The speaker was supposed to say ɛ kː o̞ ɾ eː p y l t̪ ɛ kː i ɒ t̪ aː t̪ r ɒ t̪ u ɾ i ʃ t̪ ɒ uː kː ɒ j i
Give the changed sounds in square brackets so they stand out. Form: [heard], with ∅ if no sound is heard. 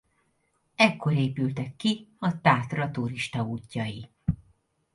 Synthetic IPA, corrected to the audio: ɛ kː o̞ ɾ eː p y l t̪ ɛ kː i ɒ t̪ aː t̪ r ɒ t̪ u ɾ i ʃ t̪ ɒ uː [cː] ɒ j i